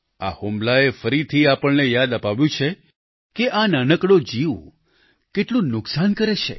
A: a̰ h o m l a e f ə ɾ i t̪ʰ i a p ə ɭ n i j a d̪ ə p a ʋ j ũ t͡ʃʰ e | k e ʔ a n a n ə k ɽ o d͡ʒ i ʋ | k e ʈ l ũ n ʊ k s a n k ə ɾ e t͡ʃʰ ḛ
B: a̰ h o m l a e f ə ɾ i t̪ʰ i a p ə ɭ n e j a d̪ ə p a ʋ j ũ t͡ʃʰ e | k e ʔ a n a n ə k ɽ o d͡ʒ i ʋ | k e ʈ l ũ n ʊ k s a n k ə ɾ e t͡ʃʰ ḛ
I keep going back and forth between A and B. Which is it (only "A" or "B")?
B